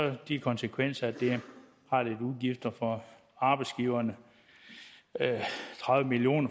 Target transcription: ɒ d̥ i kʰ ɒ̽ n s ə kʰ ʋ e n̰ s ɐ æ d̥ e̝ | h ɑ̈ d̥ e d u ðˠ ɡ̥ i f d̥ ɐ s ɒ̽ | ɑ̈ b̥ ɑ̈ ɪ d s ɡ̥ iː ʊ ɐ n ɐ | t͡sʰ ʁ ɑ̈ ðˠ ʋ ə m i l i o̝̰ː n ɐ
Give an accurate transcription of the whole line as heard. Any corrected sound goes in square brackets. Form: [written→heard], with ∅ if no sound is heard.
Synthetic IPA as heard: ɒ d̥ i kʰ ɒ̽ n s ə kʰ ʋ e n̰ s ɐ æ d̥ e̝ | h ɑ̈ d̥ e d u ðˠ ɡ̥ i f d̥ ɐ [s→f] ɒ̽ | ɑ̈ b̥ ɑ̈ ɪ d s ɡ̥ iː ʊ ɐ n [ɐ→ə] | t͡sʰ ʁ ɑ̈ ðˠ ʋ ə m i l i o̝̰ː n ɐ